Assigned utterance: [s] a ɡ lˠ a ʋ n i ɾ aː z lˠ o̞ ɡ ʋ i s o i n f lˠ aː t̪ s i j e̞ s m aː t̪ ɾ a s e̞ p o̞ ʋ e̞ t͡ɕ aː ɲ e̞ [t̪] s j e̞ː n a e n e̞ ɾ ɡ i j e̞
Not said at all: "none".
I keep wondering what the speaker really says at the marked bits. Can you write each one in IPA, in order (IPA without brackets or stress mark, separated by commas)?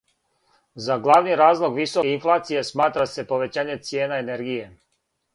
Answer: z, t̪